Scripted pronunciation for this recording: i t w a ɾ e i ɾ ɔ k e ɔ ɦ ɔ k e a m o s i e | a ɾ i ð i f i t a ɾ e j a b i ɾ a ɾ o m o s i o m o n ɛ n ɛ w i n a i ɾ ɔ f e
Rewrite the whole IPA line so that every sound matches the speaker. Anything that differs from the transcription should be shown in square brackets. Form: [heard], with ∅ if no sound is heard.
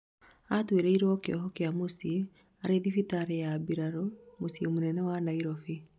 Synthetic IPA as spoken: [a] t w [e] ɾ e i ɾ ɔ k e ɔ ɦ ɔ k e a m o s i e | a ɾ [e] ð i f i t a ɾ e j a b i ɾ a ɾ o m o s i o m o n ɛ n ɛ w [a] n a i ɾ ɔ f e